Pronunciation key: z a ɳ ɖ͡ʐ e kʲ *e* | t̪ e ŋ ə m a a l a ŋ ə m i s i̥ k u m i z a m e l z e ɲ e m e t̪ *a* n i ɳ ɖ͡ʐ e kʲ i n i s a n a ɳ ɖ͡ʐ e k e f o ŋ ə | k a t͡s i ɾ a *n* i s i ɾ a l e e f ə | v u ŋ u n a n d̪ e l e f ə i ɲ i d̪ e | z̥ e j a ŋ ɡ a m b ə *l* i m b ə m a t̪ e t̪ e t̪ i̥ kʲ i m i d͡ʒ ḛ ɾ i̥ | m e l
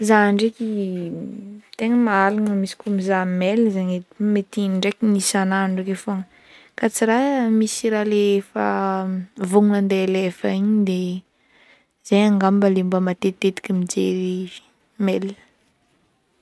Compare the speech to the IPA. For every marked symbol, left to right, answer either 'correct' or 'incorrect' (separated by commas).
incorrect, incorrect, incorrect, correct